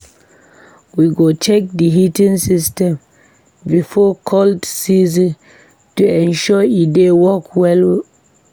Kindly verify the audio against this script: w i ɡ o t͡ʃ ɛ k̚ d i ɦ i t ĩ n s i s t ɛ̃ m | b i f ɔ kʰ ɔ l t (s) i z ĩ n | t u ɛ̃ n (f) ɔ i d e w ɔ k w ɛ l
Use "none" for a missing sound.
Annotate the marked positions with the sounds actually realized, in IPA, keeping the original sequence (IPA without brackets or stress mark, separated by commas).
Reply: s, ʃ